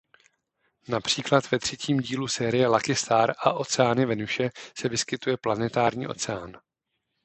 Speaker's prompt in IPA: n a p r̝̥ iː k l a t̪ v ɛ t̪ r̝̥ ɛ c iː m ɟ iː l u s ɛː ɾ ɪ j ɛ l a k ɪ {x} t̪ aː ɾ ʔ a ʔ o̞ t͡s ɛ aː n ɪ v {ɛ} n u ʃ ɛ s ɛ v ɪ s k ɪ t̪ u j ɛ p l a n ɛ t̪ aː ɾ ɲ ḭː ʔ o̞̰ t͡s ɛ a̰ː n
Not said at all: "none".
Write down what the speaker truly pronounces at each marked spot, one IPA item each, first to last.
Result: s, ɛ

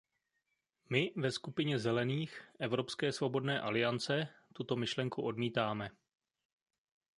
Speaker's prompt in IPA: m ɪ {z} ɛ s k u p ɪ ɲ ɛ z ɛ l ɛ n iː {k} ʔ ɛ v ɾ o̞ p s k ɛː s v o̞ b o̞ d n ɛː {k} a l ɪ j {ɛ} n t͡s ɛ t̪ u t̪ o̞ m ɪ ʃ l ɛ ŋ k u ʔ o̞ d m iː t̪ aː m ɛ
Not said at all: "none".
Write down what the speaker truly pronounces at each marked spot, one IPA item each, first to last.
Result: v, x, ʔ, a

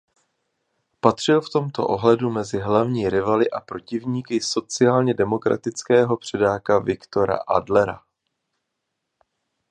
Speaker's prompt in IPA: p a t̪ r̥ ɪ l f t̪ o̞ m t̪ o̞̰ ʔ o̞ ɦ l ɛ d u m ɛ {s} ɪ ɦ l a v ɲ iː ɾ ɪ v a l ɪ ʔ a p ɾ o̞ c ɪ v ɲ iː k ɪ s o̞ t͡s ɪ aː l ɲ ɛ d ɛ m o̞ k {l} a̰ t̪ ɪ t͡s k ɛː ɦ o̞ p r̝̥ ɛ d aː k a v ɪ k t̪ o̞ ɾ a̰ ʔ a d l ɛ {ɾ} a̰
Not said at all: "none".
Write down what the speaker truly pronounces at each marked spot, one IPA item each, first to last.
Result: z, ɾ, ɾ

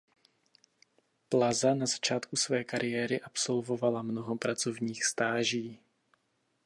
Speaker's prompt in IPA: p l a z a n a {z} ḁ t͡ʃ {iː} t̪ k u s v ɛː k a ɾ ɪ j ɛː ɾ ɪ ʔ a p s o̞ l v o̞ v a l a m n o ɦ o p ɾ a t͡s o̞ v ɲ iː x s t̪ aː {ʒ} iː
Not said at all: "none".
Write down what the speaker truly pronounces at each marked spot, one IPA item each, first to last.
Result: z, aː, ʒ

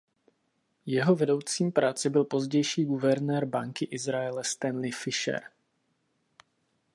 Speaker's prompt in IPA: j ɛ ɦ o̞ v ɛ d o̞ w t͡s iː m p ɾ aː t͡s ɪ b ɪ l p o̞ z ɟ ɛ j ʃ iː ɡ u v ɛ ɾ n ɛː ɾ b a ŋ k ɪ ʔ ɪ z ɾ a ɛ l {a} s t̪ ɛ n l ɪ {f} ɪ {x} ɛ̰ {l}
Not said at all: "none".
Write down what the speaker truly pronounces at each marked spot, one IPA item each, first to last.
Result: ɛ, f, ʃ, ɾ

